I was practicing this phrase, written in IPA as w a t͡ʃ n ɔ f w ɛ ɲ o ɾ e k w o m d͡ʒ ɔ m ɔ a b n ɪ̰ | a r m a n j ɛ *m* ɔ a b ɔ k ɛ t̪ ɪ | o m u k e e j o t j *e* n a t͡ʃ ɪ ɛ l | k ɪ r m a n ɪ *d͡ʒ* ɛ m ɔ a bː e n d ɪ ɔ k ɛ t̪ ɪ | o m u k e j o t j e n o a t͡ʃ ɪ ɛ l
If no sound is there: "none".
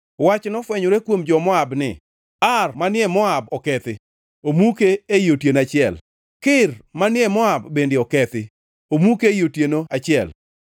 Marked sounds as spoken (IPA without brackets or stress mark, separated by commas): m, e, none